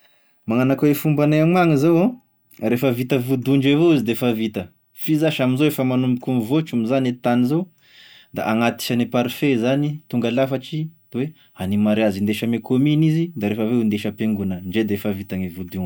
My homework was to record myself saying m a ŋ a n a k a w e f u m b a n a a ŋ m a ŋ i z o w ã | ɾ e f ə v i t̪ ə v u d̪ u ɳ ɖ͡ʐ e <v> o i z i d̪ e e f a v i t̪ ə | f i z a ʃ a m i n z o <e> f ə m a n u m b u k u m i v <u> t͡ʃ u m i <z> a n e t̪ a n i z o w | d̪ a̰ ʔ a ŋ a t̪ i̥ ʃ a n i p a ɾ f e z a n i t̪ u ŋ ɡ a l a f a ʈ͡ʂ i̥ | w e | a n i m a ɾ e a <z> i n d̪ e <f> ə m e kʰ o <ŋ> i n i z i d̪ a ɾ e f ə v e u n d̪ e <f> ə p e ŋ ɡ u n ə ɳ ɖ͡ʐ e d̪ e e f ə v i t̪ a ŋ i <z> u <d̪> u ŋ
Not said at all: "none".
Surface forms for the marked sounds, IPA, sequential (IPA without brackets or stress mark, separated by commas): v, e, o, z, z, ʃ, m, ʃ, v, d̪